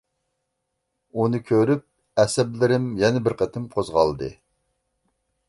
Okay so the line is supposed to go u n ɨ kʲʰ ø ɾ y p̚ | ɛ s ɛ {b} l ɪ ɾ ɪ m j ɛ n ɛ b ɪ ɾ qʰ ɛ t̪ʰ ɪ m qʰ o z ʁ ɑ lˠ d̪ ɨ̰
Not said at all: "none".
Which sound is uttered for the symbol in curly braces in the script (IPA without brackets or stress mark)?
b